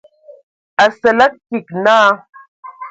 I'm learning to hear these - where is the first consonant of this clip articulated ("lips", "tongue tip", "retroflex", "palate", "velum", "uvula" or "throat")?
tongue tip